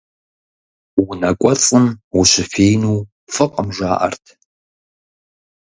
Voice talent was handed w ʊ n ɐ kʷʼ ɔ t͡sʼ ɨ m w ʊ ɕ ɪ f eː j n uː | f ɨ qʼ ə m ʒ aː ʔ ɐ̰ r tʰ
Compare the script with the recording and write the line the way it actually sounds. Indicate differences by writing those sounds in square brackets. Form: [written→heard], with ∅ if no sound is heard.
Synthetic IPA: w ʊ n ɐ kʷʼ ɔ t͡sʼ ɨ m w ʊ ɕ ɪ f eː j n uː | f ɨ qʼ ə m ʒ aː ʔ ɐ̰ r tʰ